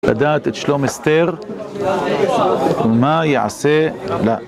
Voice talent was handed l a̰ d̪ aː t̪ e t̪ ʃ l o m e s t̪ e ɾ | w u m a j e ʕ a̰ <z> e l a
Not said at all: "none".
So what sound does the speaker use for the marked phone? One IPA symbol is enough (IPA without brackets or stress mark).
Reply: s